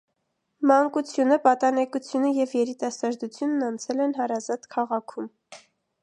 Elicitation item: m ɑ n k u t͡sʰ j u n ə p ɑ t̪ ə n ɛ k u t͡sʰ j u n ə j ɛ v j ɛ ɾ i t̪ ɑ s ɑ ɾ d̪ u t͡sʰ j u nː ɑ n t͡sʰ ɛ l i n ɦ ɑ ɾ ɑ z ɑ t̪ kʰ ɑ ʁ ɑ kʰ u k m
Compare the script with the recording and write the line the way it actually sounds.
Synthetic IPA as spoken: m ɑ ŋ k u t͡sʰ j u n ə p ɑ t̪ ɑ n ɛ k u t͡sʰ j u n ə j ɛ v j ɛ ɾ i t̪ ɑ s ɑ ɾ d̪ u t͡sʰ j u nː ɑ n t͡sʰ ɛ l ɛ n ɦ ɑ ɾ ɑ z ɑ t̪ kʰ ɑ ʁ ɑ kʰ u m